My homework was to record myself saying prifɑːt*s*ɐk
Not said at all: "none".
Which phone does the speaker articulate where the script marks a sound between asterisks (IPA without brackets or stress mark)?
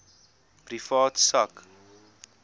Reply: s